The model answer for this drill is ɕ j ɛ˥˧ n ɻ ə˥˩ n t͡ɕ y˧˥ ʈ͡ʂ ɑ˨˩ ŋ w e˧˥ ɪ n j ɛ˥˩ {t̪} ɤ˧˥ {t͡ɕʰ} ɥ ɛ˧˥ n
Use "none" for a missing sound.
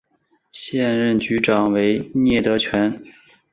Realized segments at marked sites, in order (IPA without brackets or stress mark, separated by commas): t̪, t͡ɕʰ